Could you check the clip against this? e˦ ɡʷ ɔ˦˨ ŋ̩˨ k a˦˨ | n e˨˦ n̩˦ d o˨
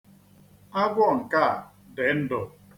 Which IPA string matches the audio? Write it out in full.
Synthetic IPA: a˦ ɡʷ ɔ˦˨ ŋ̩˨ k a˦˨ | d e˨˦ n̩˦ d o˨